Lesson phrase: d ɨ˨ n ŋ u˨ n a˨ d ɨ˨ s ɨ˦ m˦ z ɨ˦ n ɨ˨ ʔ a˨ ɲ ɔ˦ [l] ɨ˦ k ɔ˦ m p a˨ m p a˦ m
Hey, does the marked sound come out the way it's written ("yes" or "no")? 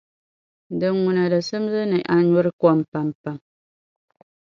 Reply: no